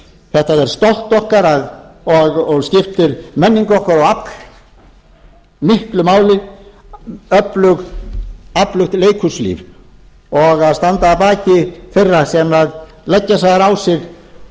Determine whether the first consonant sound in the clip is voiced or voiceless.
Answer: voiceless